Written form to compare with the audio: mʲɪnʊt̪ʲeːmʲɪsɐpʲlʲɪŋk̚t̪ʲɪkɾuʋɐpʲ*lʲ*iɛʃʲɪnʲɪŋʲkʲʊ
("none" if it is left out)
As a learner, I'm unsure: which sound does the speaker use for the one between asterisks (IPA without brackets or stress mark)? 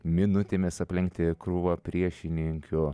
ɾʲ